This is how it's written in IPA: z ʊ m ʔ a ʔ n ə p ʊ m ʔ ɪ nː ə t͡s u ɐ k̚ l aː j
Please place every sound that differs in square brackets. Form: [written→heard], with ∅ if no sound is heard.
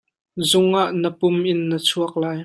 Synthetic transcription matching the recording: z ʊ [m→ŋ] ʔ a ʔ n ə p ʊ m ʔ ɪ nː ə [t͡s→t͡sʰ] u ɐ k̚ l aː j

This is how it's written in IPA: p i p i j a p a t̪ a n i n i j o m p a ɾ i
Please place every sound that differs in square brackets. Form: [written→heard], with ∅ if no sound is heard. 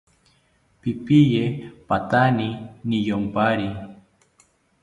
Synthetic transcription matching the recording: p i p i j [a→e] p a t̪ a n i n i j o m p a ɾ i

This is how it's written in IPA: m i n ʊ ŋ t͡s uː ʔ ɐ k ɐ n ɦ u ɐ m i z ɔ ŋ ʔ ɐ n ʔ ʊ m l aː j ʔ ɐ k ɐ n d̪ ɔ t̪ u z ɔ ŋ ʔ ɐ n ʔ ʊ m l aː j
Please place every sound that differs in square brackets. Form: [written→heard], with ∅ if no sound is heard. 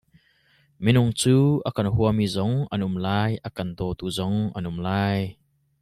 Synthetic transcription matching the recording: m i n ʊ ŋ t͡s uː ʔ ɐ k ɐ n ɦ u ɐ m i z ɔ ŋ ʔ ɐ n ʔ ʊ m l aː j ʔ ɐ k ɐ n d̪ ɔ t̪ u z ɔ ŋ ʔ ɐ n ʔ ʊ m l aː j

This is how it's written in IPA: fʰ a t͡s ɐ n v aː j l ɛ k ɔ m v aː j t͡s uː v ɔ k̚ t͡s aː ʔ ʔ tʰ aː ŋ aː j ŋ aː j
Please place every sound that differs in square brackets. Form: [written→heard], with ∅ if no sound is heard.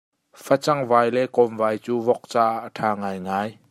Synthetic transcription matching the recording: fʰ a t͡s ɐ [n→ŋ] v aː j l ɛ k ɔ m v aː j t͡s uː v ɔ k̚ t͡s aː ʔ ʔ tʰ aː ŋ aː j ŋ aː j

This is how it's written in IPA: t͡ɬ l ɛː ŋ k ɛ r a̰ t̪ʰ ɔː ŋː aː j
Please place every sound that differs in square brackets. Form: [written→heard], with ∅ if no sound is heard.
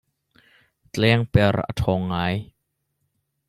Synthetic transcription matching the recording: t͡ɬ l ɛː ŋ [k→p] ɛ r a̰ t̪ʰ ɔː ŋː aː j

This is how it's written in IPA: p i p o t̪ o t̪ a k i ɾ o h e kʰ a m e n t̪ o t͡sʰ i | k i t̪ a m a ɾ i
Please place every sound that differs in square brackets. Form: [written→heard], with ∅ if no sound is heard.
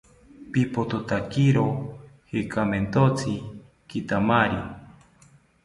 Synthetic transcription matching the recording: p i p o t̪ o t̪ a k i ɾ o h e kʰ a m e n t̪ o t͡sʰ i | k i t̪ a m a ɾ i

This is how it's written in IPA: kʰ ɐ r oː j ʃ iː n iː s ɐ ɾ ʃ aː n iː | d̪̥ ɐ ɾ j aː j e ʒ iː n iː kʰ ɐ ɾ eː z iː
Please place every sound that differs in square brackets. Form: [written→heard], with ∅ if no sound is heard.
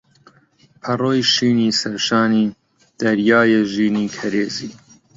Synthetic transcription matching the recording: [kʰ→pʰ] ɐ r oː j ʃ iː n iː s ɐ ɾ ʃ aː n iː | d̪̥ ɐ ɾ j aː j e ʒ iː n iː kʰ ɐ ɾ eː z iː

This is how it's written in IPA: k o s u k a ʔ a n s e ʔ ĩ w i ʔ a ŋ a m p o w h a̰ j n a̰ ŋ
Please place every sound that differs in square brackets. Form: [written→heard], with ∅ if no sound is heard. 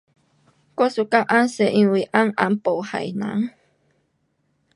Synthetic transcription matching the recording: k o s u k a ʔ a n s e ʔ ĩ w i ʔ a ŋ a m p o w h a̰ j n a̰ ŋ

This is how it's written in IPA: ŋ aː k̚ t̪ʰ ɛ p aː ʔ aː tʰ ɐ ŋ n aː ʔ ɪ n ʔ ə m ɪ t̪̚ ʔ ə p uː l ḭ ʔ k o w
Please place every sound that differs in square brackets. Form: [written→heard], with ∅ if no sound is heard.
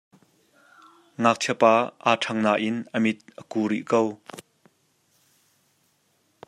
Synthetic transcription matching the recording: ŋ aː k̚ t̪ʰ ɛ p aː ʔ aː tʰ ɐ ŋ n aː ʔ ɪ n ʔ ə m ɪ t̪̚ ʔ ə [p→k] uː [l→ɾ] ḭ ʔ k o w

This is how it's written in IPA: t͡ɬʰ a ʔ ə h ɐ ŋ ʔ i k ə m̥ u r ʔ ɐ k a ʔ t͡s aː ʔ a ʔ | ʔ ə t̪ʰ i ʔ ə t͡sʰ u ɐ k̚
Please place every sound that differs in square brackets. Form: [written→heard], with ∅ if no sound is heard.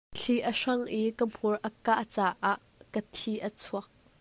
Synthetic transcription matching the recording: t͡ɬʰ [a→i] ʔ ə [h→ʂ] ɐ ŋ ʔ i k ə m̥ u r ʔ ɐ k a ʔ t͡s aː ʔ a ʔ | [ʔ→k] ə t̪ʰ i ʔ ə t͡sʰ u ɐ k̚

